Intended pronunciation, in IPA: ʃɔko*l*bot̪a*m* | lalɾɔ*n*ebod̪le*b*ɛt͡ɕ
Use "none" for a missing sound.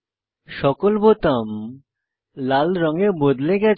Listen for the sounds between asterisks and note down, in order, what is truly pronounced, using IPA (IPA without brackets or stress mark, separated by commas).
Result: l, m, ŋ, ɡ